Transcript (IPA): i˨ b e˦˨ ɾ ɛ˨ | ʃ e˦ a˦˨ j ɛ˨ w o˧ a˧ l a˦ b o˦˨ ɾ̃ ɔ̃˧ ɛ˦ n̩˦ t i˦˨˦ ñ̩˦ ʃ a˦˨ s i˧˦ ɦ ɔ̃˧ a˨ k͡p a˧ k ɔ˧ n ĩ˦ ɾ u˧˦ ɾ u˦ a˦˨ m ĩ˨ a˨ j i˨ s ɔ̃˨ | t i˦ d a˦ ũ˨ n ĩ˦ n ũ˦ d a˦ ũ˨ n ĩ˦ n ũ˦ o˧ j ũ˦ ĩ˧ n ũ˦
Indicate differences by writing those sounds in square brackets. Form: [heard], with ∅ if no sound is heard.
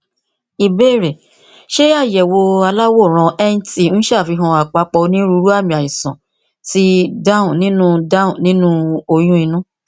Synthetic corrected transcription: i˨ b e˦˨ ɾ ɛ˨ | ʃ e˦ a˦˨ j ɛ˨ w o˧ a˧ l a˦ [w] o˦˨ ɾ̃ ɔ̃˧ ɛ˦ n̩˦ t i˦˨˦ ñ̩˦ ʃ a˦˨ [f] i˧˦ ɦ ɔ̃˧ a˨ k͡p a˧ [k͡p] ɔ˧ n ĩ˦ ɾ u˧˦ ɾ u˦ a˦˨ m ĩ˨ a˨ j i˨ s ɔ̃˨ | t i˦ d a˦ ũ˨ n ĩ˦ n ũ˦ d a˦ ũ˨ n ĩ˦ n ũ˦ o˧ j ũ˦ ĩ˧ n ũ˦

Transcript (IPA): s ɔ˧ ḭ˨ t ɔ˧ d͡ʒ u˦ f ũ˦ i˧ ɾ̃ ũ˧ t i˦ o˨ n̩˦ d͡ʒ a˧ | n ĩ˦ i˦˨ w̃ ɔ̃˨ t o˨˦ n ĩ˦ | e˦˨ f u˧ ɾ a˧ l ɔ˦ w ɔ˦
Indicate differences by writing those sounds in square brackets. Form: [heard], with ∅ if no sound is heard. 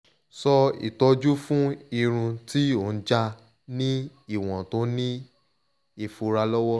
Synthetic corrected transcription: s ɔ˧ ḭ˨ t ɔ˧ d͡ʒ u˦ f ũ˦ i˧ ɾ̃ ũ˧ t i˦ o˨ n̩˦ d͡ʒ a˧ | n ĩ˦ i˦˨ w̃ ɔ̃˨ t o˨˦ n ĩ˦ | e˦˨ f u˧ ɾ a˧ l ɔ˦ w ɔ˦

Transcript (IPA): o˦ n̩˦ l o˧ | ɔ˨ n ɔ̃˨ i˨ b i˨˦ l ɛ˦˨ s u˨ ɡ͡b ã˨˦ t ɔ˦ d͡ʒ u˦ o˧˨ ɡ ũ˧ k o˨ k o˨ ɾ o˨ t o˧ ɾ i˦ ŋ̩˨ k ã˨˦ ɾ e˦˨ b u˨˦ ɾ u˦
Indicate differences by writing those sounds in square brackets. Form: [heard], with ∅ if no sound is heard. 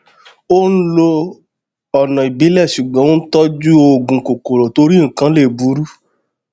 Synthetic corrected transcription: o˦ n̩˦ l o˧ | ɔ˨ n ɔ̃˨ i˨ b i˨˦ l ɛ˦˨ [ʃ] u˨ ɡ͡b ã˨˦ t ɔ˦ d͡ʒ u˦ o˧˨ ɡ ũ˧ k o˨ k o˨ ɾ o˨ t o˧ ɾ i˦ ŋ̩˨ k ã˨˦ [l] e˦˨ b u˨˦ ɾ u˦

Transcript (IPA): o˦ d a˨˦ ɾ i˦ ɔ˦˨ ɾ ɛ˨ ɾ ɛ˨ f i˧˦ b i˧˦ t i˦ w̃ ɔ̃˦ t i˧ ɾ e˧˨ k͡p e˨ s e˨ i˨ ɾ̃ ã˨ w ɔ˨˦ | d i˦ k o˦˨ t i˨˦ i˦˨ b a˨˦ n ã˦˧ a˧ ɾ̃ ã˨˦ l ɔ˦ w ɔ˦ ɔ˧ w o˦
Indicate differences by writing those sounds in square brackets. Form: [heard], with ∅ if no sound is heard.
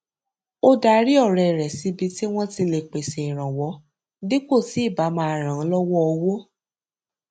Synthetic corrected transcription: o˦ d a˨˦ ɾ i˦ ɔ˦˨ ɾ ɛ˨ ɾ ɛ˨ [s] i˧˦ b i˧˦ t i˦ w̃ ɔ̃˦ t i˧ [l] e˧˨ k͡p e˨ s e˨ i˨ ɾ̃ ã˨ w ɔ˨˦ | d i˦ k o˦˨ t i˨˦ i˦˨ b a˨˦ [m] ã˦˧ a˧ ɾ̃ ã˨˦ l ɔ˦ w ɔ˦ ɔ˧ w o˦

